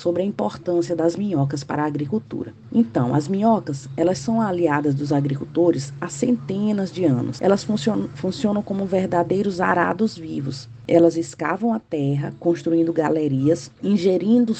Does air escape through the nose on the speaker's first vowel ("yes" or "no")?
no